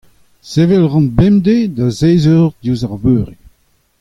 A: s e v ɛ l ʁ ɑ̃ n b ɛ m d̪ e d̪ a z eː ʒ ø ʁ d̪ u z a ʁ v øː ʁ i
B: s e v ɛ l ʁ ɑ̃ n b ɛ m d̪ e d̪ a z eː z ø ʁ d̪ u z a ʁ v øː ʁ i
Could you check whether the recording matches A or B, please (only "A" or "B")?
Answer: B